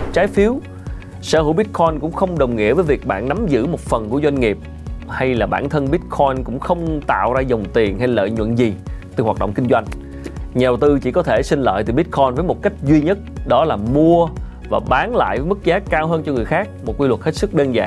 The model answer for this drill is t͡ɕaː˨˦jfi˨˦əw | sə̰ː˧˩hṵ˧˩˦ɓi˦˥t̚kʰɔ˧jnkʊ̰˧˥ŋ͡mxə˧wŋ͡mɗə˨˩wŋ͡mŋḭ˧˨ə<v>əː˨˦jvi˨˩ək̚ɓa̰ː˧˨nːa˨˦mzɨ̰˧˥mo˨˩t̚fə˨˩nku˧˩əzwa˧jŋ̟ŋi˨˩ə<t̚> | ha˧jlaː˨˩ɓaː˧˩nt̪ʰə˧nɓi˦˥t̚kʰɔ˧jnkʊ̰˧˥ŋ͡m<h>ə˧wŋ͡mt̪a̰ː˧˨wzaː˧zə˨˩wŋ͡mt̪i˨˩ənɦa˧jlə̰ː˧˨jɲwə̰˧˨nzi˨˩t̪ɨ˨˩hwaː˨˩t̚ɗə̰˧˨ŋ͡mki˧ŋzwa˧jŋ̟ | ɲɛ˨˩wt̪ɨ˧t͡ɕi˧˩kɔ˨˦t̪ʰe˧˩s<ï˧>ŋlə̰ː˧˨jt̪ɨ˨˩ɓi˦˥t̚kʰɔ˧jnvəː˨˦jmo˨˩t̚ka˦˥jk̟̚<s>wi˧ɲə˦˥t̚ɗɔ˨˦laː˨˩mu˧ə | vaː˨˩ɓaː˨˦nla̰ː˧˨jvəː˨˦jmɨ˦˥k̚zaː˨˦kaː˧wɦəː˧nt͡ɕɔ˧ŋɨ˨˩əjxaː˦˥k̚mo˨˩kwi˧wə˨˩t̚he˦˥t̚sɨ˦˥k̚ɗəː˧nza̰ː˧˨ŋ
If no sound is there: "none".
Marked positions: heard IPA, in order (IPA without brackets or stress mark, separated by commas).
v, p̚, x, ï˧, z